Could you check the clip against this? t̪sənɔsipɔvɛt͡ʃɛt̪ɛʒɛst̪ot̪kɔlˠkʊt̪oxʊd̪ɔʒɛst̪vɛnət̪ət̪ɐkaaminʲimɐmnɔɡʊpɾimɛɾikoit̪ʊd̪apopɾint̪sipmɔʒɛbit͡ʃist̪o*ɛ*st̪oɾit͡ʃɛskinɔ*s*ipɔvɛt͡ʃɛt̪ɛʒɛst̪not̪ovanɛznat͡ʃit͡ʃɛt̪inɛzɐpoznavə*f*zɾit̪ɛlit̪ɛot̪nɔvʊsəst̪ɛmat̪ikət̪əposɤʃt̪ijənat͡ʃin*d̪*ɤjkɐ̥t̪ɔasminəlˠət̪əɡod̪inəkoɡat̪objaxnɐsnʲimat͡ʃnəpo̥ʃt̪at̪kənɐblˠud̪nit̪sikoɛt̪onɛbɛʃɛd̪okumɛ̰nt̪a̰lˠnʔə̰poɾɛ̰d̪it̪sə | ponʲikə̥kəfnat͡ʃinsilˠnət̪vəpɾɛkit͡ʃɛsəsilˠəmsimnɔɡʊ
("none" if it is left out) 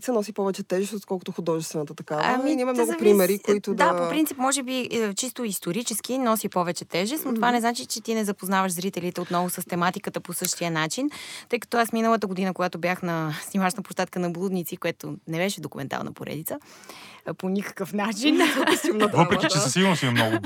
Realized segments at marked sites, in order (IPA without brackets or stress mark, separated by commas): i, s, ʃ, t̪